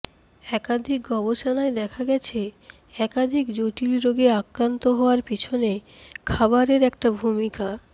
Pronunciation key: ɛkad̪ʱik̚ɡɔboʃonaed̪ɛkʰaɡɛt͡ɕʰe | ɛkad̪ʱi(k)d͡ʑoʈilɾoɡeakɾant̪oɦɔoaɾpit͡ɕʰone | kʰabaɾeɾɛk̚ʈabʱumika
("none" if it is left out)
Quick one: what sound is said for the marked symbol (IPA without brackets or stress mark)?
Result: k